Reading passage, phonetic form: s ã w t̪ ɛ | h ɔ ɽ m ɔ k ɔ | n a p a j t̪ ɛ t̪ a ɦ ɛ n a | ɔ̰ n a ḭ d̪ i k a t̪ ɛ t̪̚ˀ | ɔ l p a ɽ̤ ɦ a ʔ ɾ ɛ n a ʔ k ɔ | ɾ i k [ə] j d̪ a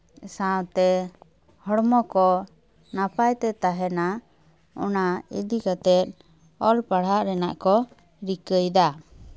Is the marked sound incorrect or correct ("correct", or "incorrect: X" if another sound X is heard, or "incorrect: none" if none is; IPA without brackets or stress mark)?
correct